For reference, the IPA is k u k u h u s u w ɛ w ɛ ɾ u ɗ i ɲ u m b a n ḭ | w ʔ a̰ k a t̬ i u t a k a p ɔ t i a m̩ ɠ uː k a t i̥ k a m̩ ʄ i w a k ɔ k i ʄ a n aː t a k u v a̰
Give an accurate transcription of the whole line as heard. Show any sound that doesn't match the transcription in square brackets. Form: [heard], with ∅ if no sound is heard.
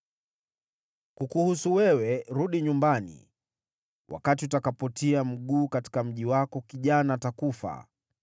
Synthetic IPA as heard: k u k u h u s u w ɛ w ɛ ɾ u ɗ i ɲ u m b a n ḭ | w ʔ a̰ k a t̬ i u t a k a p ɔ t i a m̩ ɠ uː k a t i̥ k a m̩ ʄ i w a k ɔ k i ʄ a n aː t a k u [f] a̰